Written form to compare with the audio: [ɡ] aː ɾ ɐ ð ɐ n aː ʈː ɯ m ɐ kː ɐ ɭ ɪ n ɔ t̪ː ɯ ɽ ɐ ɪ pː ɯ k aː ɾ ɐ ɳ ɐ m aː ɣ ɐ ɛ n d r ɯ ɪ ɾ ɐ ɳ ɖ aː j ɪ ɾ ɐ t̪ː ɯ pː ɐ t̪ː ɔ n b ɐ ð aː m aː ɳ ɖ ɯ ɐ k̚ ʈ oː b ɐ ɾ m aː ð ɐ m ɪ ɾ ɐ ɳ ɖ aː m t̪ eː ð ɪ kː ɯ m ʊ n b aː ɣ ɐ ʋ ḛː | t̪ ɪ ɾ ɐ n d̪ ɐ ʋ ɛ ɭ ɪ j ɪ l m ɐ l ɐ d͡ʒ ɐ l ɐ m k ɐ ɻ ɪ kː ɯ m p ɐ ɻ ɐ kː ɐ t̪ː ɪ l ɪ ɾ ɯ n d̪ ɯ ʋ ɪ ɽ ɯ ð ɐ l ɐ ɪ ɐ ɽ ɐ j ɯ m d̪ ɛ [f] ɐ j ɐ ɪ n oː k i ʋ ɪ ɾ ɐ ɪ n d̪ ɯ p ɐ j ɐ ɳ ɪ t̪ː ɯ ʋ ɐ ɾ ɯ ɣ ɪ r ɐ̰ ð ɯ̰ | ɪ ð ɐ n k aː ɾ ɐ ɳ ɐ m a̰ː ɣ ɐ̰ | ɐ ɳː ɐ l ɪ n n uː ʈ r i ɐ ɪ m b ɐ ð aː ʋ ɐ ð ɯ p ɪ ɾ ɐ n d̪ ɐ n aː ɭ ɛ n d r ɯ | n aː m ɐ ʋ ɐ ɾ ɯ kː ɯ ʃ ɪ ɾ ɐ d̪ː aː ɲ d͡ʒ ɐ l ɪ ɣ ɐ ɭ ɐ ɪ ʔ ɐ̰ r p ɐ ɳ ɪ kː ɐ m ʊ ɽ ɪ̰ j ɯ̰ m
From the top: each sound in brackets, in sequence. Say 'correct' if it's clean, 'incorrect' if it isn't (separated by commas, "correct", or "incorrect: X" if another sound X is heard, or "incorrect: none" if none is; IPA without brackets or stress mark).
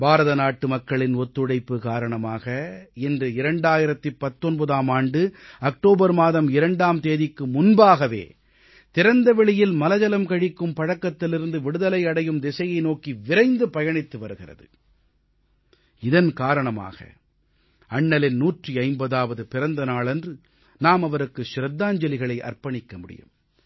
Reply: incorrect: b, incorrect: s